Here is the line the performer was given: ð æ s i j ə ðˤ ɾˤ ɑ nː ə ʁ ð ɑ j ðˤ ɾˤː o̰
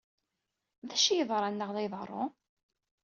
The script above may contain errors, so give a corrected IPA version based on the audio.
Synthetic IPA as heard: ð æ ʃ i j ə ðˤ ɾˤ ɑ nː ə ʁ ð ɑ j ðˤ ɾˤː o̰

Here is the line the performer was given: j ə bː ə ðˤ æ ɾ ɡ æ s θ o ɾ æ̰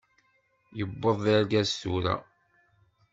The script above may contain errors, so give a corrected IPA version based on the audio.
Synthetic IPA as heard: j ə bː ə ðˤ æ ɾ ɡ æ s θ u ɾ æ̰

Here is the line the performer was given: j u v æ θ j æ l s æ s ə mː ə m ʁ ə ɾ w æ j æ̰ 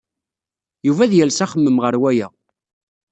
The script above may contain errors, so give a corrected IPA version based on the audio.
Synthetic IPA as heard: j u v æ ð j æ l s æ χ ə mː ə m ʁ ə ɾ w æ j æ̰

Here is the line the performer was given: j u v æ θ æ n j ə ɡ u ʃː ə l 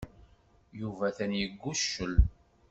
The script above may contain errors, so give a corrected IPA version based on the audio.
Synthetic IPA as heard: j u v æ θ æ n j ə ɡː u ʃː ə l

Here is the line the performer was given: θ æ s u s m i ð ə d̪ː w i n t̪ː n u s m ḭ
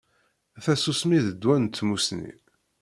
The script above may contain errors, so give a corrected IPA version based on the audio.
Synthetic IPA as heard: θ æ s u s m i ð ə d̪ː w æ n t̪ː m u s n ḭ

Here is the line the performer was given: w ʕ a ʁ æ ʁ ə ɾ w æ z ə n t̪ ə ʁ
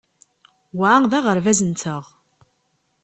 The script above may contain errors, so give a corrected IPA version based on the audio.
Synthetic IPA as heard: w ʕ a ð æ ʁ ə ɾ v æ z ə n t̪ ə ʁ

